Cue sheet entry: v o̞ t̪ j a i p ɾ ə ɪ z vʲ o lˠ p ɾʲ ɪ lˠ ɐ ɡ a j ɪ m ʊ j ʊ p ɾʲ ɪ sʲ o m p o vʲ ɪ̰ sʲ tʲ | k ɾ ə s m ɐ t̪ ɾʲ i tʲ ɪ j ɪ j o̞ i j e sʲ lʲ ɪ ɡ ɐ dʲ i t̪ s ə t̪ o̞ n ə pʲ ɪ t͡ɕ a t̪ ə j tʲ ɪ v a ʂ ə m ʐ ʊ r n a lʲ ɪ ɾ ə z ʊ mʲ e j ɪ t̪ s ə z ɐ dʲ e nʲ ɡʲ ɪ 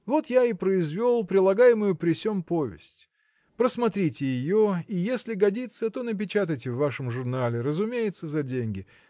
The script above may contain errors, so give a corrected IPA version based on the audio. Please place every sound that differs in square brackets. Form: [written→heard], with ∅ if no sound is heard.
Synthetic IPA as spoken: v o̞ t̪ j a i p ɾ ə ɪ z vʲ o lˠ p ɾʲ ɪ lˠ ɐ ɡ a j ɪ m ʊ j ʊ p ɾʲ ɪ sʲ o m p o vʲ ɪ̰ sʲ tʲ | [k→p] ɾ ə s m ɐ t̪ ɾʲ i tʲ ɪ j ɪ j o̞ i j e sʲ lʲ ɪ ɡ ɐ dʲ i t̪ s ə t̪ o̞ n ə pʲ ɪ t͡ɕ a t̪ ə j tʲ ɪ [v→vː] a ʂ ə m ʐ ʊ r n a lʲ ɪ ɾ ə z ʊ mʲ e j ɪ t̪ s ə z ɐ dʲ e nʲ ɡʲ ɪ